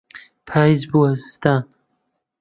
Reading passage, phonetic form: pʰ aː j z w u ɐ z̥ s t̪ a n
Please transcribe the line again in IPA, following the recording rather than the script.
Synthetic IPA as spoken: pʰ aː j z b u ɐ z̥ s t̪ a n